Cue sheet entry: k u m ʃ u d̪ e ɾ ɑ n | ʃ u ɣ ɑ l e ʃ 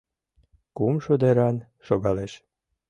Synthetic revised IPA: k u m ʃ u d̪ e ɾ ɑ n | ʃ o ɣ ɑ l e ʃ